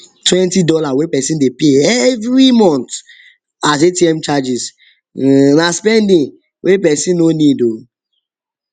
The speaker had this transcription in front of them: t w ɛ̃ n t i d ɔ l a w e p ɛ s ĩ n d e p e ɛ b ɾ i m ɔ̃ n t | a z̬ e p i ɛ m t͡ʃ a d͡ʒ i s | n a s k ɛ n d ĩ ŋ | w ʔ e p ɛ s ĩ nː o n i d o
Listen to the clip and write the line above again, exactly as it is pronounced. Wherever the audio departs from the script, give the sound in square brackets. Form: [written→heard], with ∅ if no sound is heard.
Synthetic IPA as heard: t w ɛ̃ n t i d ɔ l a w e p ɛ s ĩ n d e p e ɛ [b→v] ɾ i m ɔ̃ n t | a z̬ e [p→t] i ɛ m t͡ʃ a d͡ʒ i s | n a s [k→p] ɛ n d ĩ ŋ | w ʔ e p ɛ s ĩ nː o n i d o